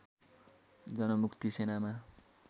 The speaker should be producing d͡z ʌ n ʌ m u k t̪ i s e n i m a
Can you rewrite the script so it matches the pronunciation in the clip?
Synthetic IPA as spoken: d͡z ʌ n ʌ m u k t̪ i s e n a m a